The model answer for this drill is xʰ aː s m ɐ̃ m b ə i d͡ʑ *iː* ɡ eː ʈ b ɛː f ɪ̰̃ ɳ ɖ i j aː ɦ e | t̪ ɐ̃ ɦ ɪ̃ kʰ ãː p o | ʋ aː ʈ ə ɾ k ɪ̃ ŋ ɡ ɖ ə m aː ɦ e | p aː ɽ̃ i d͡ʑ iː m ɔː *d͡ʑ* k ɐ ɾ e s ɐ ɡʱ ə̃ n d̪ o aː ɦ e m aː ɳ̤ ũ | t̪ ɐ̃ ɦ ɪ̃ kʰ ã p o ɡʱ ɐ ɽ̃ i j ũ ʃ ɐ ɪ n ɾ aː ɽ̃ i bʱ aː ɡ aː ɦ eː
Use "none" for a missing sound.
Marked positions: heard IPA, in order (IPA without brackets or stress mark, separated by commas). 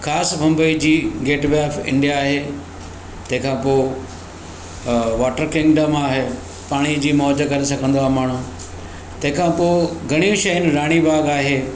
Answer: iː, d͡ʑ